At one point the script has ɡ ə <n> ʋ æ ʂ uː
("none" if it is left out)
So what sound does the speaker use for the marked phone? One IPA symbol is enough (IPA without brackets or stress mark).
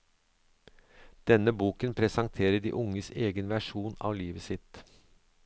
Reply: n